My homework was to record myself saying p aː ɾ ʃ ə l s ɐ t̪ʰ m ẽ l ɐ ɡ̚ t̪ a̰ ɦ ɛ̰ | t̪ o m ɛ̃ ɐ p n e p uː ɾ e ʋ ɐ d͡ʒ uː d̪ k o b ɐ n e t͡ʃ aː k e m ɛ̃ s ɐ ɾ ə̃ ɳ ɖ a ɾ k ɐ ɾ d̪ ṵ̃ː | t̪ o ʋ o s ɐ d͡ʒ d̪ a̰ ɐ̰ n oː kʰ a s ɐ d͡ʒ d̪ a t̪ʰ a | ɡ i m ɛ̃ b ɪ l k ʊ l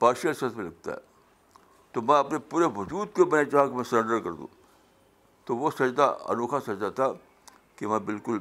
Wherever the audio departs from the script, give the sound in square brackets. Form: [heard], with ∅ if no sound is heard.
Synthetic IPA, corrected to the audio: p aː ɾ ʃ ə l s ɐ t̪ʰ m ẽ l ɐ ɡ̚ t̪ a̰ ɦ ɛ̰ | t̪ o m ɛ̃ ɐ p n e p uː ɾ e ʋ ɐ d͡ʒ uː d̪ k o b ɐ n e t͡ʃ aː k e m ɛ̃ s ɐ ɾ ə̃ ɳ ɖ [ə] ɾ k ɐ ɾ d̪ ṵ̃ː | t̪ o ʋ o s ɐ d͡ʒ d̪ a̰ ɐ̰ n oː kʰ a s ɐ d͡ʒ d̪ a t̪ʰ a | [k] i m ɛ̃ b ɪ l k ʊ l